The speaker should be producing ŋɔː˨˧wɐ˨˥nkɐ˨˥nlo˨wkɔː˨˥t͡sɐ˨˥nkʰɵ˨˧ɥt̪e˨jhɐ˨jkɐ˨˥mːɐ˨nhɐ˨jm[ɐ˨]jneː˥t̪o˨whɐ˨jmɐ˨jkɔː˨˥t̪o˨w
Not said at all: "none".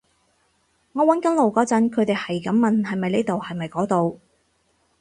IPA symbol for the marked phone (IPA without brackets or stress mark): ɐ˨